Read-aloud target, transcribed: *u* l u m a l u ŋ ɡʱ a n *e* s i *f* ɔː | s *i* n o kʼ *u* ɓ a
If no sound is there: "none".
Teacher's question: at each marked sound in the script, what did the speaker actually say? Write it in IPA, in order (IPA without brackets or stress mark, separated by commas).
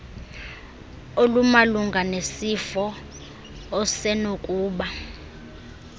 o, e, f, ɛ, uː